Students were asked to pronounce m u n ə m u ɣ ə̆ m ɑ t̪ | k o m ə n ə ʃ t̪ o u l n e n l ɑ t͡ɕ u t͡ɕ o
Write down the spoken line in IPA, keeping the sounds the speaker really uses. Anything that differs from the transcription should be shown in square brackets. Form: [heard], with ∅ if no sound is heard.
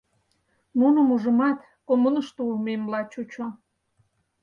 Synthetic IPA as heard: m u n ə m u [ʒ] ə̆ m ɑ t̪ | k o m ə n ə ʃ t̪ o u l [m] e [m] l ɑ t͡ɕ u t͡ɕ o